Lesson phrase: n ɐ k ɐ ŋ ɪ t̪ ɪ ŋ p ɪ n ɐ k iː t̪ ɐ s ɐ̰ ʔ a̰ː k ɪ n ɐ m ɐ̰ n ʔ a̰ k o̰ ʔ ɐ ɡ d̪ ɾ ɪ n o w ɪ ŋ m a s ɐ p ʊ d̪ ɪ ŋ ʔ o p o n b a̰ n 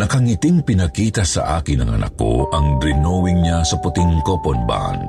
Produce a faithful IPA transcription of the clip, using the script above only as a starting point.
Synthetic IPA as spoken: n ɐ k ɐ ŋ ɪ t̪ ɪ ŋ p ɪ n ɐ k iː t̪ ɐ s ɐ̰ ʔ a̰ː k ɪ n ɐ ŋ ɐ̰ n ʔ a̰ k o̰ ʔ ɐ ŋ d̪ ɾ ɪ n o w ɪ ŋ ɲ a s ɐ p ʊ t̪ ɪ ŋ k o p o n b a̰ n